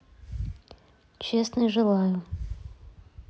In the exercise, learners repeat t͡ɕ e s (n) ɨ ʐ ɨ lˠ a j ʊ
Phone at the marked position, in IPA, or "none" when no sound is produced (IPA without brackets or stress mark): n